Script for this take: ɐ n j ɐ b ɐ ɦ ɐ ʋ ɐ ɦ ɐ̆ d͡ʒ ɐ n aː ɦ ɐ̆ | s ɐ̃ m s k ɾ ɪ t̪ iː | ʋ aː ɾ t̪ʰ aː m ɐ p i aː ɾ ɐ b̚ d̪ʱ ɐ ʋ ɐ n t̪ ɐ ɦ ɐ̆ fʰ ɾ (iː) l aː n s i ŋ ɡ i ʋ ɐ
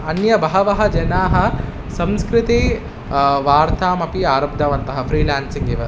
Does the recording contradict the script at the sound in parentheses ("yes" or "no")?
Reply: no